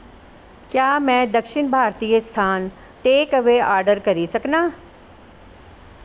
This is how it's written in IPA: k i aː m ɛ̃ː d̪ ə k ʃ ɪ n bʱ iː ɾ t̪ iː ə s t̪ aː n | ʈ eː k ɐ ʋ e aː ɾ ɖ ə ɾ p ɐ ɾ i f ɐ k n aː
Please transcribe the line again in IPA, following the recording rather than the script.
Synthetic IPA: k j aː m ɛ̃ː d̪ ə k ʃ ɪ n bʱ aː ɾ t̪ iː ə s t̪ʰ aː n | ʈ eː k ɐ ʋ e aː ɾ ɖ ə ɾ k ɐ ɾ i s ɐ k n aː